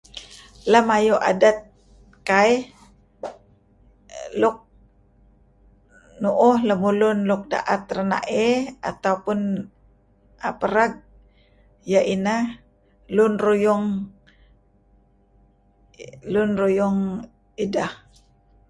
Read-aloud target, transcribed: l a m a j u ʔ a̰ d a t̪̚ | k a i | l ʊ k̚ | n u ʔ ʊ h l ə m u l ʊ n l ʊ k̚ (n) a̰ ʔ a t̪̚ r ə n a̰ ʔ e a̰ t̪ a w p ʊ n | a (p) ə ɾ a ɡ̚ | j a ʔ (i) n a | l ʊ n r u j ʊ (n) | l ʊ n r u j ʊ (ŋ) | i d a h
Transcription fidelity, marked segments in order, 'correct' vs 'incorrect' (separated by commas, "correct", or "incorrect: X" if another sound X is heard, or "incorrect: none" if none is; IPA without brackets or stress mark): incorrect: d, correct, correct, incorrect: ŋ, correct